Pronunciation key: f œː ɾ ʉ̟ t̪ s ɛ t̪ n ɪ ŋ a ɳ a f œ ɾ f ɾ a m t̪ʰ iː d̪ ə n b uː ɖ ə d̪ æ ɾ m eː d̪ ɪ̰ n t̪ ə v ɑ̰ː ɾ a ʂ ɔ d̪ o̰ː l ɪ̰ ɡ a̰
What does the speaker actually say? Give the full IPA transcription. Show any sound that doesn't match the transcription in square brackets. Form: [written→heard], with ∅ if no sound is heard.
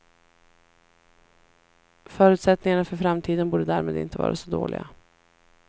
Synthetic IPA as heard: f œː ɾ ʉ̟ t̪ s ɛ t̪ n ɪ ŋ a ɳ a f œ ɾ f ɾ a m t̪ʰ iː d̪ ə n b uː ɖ ə d̪ æ ɾ m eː d̪ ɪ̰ n t̪ ə v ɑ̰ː ɾ a [ʂ→s] ɔ d̪ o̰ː l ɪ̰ ɡ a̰